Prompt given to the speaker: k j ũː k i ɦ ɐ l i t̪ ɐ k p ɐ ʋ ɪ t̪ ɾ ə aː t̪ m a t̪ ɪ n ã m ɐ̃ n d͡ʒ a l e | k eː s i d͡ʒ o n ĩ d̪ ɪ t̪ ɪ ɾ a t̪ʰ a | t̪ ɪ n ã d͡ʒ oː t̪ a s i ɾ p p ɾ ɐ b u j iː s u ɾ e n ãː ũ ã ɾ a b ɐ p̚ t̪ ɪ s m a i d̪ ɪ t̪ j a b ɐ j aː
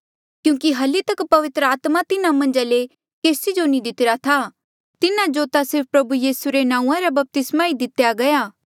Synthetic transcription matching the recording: k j ũː k i ɦ ɐ l i t̪ ɐ k p ɐ ʋ ɪ t̪ ɾ ə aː t̪ m a t̪ ɪ n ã m ɐ̃ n d͡ʒ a l e | k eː s i d͡ʒ o n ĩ d̪ ɪ t̪ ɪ ɾ a t̪ʰ a | t̪ ɪ n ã d͡ʒ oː t̪ a s ɪ ɾ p p ɾ ɐ b u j iː s u ɾ e n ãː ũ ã ɾ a b ɐ p̚ t̪ ɪ s m a i d̪ ɪ t̪ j a ɡ ɐ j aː